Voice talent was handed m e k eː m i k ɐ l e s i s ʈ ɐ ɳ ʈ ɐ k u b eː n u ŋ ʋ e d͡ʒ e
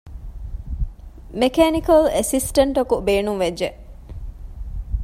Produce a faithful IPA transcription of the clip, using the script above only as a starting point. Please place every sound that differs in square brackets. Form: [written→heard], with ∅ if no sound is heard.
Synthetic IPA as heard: m e k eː [m→n] i k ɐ l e s i s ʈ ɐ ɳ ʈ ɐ k u b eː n u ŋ ʋ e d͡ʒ e